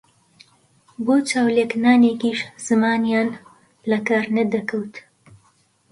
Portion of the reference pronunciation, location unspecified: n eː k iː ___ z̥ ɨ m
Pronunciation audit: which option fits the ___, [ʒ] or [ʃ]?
ʃ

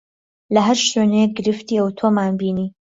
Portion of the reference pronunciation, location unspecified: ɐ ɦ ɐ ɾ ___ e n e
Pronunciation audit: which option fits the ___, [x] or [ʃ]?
ʃ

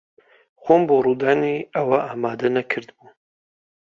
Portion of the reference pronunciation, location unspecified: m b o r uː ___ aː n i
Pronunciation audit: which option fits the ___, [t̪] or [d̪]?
d̪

